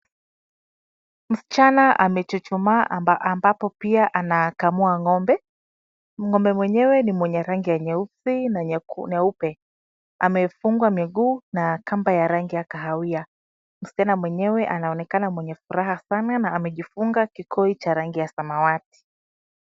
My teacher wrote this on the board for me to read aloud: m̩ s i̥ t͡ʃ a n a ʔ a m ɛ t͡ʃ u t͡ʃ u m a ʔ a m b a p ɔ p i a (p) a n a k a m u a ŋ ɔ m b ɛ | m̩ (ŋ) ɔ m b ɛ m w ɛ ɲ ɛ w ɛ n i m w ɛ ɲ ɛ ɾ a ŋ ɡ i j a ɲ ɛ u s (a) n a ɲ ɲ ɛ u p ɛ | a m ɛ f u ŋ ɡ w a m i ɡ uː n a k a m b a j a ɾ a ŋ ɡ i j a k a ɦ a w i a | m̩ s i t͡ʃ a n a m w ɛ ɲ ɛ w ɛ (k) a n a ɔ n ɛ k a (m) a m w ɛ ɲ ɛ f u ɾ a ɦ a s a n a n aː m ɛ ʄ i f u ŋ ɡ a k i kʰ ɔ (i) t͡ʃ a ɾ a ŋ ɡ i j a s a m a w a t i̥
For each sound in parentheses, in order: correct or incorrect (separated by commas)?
incorrect, correct, incorrect, incorrect, incorrect, correct